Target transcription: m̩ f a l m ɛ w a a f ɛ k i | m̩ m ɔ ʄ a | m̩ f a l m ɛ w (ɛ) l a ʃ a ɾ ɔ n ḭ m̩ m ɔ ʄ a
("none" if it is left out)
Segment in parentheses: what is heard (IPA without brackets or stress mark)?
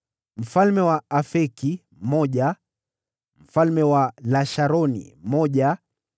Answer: a